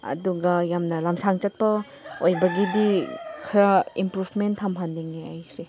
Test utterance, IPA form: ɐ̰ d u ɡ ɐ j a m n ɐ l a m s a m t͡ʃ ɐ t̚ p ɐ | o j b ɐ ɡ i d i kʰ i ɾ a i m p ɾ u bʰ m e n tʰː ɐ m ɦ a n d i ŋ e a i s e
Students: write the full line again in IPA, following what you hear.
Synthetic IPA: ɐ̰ d u ɡ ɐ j a m n ɐ l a m s a ŋ t͡ʃ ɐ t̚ p ɐ | o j b ɐ ɡ i d i kʰ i ɾ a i m p ɾ u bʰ m e n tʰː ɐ m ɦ a n d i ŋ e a j s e

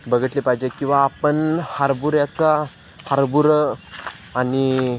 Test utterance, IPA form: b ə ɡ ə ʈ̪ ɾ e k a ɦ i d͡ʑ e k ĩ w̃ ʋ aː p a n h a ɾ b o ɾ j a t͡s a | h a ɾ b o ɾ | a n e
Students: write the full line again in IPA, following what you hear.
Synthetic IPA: b ə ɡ ə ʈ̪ l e p a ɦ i d͡ʑ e k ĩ w̃ ʋ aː p ə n h a ɾ b u ɾ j a t͡s a | h a ɾ b u ɾ | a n i

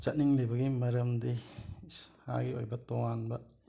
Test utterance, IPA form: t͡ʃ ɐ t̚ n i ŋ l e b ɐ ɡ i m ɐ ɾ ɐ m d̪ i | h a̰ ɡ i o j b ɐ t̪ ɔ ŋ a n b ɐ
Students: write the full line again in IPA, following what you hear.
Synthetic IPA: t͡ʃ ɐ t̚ n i ŋ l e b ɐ ɡ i m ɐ ɾ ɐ m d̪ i | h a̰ ɡ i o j b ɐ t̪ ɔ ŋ a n b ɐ

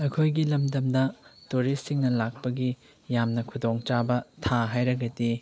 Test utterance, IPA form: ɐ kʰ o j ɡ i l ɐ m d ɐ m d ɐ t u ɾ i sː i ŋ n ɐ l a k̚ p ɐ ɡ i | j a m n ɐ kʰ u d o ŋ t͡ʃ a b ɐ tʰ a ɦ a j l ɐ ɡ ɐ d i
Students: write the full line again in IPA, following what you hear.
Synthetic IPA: ɐ kʰ o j ɡ i l ɐ m d ɐ m d ɐ t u ɾ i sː i ŋ n ɐ l a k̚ p ɐ ɡ i | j a m n ɐ kʰ u d o ŋ t͡ʃ a b ɐ tʰ a ɦ a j ɾ ɐ ɡ ɐ d i

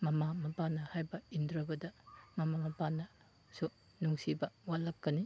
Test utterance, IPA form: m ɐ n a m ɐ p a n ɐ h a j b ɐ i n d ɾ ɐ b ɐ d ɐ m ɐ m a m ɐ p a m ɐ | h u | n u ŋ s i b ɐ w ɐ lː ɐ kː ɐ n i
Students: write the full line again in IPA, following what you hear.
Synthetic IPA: m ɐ m a m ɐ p a n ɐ h a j b ɐ i n d ɾ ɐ b ɐ d ɐ m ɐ m a m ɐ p a n ɐ | s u | n u ŋ s i b ɐ w a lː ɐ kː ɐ n i

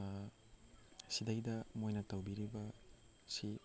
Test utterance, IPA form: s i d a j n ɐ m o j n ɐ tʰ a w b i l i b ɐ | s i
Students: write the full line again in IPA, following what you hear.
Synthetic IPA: s i d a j d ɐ m o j n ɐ t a w b i ɾ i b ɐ | s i

